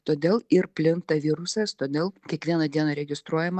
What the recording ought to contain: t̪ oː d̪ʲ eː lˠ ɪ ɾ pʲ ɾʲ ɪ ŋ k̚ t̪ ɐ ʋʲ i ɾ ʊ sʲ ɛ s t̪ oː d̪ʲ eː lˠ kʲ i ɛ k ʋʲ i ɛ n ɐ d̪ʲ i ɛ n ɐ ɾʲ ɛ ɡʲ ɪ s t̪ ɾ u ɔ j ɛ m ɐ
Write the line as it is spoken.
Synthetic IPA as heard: t̪ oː d̪ʲ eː lˠ ɪ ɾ pʲ lʲ ɪ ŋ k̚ t̪ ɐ ʋʲ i ɾ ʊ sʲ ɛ s t̪ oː d̪ʲ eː lˠ kʲ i ɛ k ʋʲ i ɛ n ɐ d̪ʲ i ɛ n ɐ ɾʲ ɛ ɡʲ ɪ s t̪ ɾ u ɔ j ɛ m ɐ